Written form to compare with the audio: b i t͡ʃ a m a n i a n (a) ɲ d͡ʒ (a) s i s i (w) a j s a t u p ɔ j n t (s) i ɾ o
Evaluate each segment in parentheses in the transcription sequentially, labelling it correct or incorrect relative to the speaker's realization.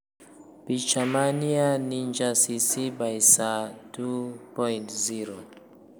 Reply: incorrect, correct, incorrect, incorrect

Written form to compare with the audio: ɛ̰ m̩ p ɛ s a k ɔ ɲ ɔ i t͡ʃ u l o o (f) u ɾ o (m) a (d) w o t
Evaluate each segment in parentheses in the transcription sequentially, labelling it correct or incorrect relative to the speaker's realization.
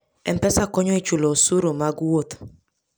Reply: incorrect, correct, incorrect

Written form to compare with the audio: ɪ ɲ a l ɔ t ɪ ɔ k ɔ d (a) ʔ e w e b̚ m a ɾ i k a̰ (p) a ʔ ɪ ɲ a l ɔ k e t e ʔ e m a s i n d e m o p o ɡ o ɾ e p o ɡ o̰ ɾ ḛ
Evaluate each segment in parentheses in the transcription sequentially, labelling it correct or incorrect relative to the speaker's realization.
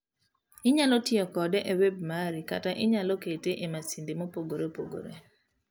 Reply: incorrect, incorrect

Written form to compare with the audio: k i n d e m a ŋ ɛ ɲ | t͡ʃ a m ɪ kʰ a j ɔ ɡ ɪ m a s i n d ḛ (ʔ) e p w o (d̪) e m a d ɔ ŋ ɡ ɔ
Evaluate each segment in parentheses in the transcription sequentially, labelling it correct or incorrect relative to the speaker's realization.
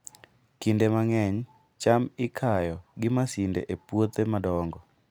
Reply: correct, incorrect

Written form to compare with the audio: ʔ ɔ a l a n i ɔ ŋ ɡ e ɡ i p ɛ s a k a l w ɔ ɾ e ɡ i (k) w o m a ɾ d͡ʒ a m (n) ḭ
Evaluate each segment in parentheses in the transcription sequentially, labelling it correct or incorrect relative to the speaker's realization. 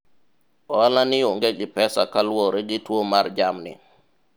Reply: incorrect, correct

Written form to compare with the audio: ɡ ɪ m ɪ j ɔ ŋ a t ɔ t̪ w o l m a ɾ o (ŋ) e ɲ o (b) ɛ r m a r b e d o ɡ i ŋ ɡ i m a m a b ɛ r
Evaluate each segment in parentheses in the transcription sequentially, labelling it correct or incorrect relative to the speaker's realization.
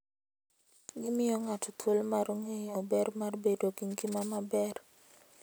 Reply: correct, correct

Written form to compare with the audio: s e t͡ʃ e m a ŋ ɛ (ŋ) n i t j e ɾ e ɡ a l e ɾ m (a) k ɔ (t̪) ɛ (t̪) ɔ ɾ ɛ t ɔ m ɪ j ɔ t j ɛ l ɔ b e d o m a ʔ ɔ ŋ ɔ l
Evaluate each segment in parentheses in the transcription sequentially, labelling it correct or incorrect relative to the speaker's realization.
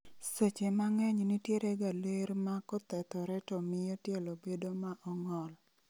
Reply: incorrect, correct, correct, correct

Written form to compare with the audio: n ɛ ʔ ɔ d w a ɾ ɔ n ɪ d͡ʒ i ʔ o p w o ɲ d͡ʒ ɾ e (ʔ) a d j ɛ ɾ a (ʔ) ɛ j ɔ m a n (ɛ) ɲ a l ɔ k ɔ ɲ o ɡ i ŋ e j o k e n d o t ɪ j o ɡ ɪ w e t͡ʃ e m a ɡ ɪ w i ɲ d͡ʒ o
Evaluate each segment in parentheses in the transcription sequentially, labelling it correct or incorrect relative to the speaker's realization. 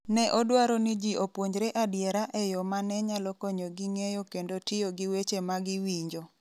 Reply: correct, correct, correct

